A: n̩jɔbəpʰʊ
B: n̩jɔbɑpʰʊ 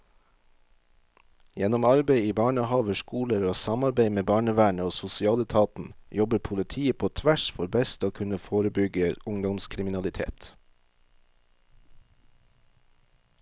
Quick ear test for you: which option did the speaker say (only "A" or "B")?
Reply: A